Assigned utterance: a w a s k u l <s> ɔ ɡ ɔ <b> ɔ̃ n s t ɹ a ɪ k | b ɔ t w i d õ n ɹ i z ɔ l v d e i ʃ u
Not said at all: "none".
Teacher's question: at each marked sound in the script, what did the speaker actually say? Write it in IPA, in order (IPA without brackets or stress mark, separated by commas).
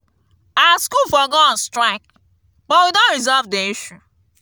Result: f, none